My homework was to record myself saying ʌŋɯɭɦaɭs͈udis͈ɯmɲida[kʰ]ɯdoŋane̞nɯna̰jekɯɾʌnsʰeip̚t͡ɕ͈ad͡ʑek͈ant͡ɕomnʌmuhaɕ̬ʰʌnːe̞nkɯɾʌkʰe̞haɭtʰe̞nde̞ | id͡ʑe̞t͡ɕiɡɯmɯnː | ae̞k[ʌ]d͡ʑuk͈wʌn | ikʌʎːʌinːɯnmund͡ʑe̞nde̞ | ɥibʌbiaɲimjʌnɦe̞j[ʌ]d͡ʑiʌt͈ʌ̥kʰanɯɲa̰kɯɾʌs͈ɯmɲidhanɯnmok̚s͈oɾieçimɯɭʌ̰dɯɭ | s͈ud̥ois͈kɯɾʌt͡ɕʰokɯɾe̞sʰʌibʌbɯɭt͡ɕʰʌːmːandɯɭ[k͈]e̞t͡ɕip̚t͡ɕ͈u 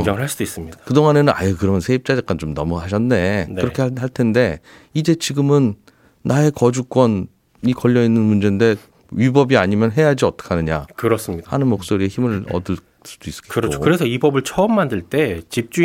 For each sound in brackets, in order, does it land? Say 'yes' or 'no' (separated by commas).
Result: no, yes, no, no